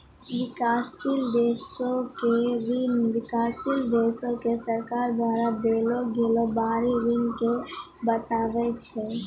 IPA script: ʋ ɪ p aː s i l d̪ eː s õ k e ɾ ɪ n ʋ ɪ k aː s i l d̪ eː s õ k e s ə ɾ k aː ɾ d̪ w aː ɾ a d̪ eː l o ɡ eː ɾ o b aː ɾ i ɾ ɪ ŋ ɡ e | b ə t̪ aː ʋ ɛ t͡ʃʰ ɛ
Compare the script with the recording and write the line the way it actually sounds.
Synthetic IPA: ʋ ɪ k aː s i l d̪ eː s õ k e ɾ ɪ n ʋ ɪ k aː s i l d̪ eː s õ k e s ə ɾ k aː ɾ d̪ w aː ɾ a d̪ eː l o ɡ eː l o b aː ɾ i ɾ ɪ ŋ k e | b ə t̪ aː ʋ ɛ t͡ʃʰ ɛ